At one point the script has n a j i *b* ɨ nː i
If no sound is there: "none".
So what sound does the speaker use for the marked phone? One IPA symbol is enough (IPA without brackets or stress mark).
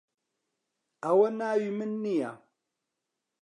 m